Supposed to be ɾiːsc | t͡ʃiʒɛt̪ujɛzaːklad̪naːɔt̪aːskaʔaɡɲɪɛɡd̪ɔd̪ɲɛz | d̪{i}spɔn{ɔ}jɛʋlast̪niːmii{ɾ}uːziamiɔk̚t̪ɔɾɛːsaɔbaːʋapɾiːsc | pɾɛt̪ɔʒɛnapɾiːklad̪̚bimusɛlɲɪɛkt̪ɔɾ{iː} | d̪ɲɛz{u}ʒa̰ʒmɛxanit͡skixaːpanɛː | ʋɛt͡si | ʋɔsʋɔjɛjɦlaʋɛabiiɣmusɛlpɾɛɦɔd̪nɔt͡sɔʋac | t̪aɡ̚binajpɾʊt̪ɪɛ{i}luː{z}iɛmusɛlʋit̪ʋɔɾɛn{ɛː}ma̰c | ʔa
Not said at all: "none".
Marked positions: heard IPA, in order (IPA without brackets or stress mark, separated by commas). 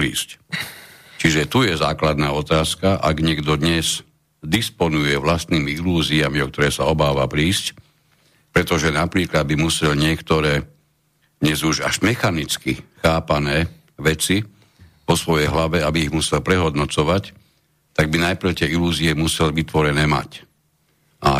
i, u, l, ɛː, u, i, z, ɛː